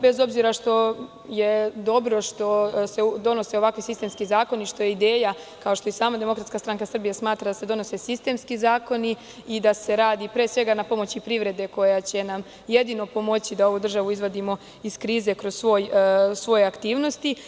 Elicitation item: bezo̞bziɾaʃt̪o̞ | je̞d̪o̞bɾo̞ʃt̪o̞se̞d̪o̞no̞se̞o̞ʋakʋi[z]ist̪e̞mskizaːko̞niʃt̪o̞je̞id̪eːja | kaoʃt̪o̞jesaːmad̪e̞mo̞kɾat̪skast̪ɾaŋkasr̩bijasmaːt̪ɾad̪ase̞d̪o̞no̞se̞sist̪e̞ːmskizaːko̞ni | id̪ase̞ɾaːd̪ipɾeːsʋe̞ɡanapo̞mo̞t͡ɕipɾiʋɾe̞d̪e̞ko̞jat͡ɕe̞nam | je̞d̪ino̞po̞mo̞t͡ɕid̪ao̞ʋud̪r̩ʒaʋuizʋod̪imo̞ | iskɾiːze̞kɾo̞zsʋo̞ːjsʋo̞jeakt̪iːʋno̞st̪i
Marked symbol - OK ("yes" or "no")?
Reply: no